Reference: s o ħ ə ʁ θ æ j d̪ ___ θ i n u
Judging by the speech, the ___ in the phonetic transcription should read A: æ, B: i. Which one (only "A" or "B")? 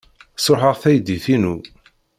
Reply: B